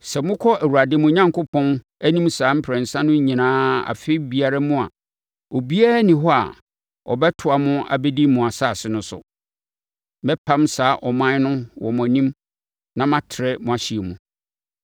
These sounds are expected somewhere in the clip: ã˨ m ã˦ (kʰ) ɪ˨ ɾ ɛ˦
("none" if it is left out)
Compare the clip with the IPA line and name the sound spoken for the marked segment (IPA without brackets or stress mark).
tʰ